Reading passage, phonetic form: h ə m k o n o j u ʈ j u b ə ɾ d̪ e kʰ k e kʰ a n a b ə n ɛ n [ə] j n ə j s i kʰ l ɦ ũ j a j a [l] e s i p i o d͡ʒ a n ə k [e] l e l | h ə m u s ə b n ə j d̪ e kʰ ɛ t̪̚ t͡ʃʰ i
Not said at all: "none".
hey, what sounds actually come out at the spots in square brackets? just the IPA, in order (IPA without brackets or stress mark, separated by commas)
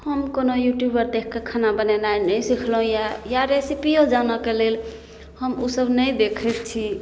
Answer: a, ɾ, e